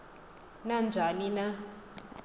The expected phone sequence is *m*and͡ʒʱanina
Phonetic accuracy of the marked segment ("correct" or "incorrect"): incorrect